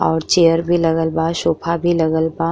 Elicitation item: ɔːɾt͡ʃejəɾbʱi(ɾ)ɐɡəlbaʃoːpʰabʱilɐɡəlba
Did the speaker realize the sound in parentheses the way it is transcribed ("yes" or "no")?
no